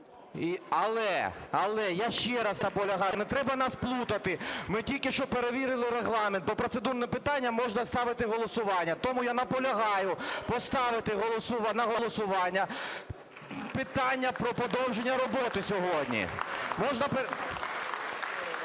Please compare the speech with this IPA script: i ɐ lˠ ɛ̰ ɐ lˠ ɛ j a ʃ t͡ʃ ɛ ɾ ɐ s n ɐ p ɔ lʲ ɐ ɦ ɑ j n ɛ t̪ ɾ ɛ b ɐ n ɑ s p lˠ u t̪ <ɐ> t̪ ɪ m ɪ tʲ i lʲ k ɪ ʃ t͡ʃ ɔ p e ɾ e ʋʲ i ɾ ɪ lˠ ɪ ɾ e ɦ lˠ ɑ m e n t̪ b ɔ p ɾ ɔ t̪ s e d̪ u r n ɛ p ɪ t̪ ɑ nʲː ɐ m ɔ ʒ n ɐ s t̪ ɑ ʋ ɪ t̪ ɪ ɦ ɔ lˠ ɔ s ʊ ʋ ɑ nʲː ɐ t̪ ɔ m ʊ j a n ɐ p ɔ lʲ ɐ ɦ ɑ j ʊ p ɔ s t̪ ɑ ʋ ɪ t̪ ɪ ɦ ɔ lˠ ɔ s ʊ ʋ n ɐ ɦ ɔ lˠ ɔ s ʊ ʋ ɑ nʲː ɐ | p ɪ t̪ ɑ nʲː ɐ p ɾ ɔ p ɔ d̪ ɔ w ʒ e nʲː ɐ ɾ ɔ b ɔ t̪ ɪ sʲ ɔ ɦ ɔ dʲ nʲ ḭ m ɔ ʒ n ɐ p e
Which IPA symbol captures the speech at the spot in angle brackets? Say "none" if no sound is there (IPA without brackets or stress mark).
ɐ